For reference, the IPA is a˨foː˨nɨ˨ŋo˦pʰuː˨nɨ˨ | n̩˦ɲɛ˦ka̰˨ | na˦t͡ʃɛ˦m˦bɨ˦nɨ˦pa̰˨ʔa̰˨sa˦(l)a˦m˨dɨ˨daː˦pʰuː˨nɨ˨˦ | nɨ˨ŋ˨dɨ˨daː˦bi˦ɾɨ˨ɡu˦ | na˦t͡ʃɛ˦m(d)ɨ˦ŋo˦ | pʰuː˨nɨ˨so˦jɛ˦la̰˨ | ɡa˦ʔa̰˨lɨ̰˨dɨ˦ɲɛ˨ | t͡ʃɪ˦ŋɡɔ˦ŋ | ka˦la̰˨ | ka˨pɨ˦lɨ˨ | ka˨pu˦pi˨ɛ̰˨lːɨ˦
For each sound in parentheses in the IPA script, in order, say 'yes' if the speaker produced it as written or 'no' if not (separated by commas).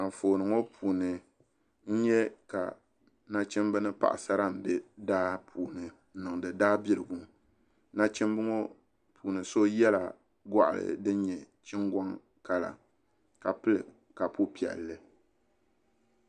no, no